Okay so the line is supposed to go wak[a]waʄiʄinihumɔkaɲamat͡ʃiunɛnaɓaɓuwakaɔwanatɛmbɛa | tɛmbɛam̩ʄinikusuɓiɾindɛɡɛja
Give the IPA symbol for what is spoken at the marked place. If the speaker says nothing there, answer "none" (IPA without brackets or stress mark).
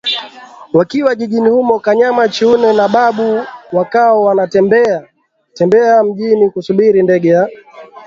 i